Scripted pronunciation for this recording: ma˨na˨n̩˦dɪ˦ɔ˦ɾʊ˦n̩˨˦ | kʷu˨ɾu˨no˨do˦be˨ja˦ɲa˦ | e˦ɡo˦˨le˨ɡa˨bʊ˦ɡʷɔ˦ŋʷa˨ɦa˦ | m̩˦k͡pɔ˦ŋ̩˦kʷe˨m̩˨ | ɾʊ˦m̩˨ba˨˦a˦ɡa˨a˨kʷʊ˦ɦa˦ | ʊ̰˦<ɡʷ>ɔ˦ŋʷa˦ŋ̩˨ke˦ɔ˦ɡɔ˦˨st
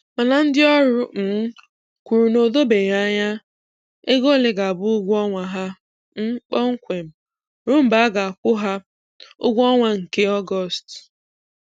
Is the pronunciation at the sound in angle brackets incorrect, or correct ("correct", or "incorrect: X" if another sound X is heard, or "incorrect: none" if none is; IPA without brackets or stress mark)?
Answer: correct